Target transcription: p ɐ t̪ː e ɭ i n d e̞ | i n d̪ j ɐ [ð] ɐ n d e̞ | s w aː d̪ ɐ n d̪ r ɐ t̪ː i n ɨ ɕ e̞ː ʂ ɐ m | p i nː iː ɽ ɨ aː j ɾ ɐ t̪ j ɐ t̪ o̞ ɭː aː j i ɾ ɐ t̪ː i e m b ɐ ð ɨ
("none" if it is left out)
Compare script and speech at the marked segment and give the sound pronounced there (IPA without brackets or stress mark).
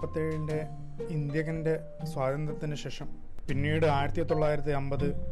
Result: ɣ